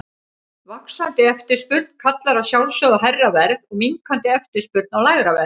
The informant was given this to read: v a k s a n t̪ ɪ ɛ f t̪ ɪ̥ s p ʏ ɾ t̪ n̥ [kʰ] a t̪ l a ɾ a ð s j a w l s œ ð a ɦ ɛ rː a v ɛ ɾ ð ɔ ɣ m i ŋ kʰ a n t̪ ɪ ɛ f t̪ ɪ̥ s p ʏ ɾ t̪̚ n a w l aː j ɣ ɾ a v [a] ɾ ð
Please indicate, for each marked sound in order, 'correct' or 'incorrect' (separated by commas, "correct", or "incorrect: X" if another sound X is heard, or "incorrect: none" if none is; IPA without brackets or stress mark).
correct, incorrect: ɛ